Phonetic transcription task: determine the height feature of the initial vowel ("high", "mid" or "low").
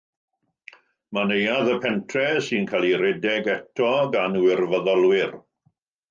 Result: low